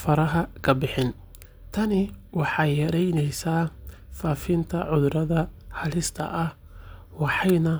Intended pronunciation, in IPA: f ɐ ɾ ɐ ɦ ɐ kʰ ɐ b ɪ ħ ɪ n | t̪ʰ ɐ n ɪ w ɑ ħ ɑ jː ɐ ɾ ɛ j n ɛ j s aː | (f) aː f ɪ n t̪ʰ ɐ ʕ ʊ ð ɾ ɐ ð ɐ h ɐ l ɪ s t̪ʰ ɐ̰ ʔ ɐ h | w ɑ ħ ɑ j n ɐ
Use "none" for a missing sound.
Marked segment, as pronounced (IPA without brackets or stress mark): f